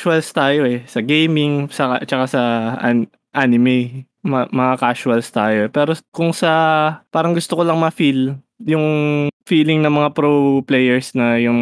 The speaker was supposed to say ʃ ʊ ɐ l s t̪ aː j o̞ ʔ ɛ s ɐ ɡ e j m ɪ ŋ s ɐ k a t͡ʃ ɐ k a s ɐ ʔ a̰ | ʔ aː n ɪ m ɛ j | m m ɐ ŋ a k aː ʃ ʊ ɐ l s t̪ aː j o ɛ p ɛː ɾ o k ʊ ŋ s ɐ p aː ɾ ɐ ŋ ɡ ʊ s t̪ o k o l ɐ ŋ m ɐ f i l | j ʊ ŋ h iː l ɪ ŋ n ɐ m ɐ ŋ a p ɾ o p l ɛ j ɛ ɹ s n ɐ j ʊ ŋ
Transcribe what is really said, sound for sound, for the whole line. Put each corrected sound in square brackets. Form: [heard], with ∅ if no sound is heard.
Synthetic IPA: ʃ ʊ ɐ l s t̪ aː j o̞ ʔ ɛ s ɐ ɡ e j m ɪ ŋ s ɐ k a t͡ʃ ɐ k a s ɐ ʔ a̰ | ʔ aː n ɪ m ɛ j | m m ɐ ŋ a k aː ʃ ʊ ɐ l s t̪ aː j o ɛ p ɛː ɾ o k ʊ ŋ s ɐ p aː ɾ ɐ ŋ ɡ ʊ s t̪ o k o l ɐ ŋ m ɐ f i l | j ʊ ŋ [f] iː l ɪ ŋ n ɐ m ɐ ŋ a p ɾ o p l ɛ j ɛ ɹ s n ɐ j ʊ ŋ